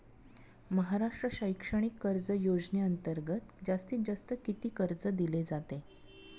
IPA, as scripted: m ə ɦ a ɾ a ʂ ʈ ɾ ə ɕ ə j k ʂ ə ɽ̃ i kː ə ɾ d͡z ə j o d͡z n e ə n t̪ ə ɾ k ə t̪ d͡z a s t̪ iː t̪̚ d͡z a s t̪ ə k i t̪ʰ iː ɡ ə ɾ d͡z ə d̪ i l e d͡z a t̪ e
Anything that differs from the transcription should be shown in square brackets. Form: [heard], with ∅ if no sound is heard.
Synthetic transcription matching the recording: m ə ɦ a ɾ a ʂ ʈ ɾ ə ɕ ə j k ʂ ə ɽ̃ i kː ə ɾ d͡z ə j o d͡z n e ə n t̪ ə ɾ [ɡ] ə t̪ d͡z a s t̪ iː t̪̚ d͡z a s t̪ ə k i [t̪] iː [k] ə ɾ d͡z ə d̪ i l e d͡z a t̪ e